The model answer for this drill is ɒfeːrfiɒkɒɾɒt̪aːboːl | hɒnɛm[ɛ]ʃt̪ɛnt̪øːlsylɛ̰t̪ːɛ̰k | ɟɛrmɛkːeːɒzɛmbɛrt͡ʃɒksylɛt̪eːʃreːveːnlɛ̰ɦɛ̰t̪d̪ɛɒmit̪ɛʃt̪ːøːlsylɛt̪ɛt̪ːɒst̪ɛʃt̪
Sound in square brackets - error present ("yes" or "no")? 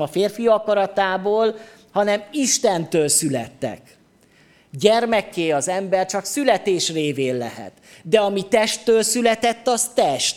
yes